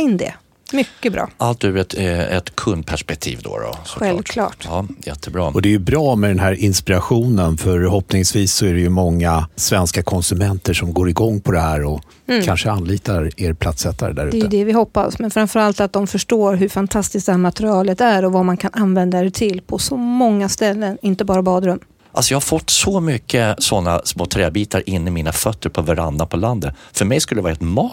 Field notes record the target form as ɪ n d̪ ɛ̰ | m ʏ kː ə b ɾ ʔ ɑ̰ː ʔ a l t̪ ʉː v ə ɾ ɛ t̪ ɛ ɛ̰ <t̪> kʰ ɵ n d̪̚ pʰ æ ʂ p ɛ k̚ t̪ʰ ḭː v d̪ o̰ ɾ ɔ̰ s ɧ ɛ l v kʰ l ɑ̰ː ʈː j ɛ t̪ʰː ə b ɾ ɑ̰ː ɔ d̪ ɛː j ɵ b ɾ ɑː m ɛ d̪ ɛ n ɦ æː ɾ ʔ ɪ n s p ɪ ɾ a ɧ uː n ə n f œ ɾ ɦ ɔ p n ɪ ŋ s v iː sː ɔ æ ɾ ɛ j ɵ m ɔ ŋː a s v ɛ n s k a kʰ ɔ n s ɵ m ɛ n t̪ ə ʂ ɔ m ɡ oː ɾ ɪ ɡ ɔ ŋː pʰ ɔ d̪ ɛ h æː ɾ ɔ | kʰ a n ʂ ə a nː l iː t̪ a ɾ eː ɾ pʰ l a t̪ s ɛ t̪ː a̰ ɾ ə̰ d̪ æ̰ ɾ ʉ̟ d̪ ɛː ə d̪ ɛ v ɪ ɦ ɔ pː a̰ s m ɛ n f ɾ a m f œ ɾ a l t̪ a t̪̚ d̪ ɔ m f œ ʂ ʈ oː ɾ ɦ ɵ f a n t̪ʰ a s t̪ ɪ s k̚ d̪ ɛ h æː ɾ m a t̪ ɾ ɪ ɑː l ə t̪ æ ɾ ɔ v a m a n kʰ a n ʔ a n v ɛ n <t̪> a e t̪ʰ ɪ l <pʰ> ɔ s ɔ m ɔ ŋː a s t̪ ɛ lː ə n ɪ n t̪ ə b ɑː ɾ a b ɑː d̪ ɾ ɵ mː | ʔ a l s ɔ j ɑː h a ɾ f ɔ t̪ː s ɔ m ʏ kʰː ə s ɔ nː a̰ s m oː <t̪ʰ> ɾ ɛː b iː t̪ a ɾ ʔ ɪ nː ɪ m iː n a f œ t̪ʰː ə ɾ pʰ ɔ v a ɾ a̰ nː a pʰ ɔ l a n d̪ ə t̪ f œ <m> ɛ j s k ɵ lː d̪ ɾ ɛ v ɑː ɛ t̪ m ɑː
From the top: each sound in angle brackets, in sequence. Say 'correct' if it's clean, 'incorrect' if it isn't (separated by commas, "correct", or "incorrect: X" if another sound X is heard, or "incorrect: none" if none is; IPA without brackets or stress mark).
correct, incorrect: d̪, correct, correct, correct